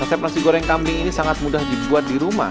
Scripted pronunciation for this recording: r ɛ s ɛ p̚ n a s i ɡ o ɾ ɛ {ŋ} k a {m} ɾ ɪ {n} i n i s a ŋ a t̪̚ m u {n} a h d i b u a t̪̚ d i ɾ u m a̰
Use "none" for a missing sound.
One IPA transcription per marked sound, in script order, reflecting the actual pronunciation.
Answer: ŋ, m, ŋ, d

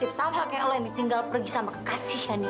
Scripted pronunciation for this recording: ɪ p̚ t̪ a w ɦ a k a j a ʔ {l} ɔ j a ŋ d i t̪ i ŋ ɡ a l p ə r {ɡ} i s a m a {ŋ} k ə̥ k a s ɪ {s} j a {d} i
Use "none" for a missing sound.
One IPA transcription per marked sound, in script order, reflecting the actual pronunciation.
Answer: l, ɡ, none, h, n

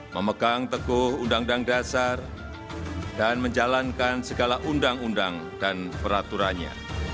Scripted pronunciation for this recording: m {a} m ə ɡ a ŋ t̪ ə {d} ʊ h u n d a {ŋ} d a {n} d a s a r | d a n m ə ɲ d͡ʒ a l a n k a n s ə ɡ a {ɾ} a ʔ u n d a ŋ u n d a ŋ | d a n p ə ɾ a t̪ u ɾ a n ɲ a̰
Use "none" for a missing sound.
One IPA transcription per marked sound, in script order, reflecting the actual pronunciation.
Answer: ə, ɡ, ŋ, ŋ, l

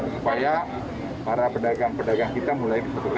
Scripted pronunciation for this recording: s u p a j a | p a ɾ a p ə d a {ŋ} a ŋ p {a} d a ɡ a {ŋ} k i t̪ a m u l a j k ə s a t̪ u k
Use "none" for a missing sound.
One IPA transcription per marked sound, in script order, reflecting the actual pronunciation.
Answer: ɡ, ə, ŋ

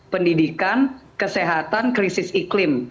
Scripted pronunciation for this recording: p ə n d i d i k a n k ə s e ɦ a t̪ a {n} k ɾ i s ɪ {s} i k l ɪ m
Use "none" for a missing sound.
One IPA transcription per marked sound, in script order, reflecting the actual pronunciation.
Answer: n, s

